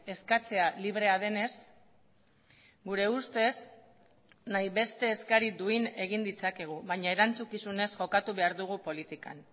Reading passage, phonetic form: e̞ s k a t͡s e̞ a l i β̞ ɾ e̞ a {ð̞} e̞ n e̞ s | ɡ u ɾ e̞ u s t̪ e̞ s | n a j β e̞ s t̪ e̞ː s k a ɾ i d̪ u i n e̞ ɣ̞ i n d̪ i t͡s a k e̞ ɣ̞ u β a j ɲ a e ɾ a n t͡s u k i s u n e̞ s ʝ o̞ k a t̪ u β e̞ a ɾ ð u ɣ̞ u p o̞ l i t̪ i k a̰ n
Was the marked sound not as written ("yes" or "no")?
no